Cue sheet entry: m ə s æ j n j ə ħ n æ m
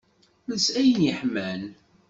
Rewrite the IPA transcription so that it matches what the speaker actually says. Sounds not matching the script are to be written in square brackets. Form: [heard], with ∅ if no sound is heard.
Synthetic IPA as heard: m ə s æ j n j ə ħ [m] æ [n]